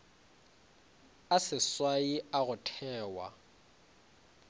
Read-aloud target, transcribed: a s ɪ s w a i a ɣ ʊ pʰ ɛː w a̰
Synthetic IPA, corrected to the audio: a s ɪ s w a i a ɣ ʊ tʰ ɛː w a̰